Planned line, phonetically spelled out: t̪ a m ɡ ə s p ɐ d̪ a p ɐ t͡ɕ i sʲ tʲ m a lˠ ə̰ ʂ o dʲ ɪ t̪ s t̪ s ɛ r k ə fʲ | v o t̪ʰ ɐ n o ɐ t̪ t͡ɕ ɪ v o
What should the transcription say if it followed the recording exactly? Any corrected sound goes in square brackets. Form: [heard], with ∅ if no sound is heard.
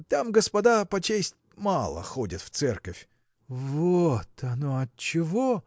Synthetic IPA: t̪ a m ɡ ə s p ɐ d̪ a p ɐ t͡ɕ [e] sʲ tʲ m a lˠ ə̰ [x] o dʲ ɪ t̪ [f] t̪ s ɛ r k ə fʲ | v o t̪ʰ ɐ n o ɐ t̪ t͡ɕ ɪ v o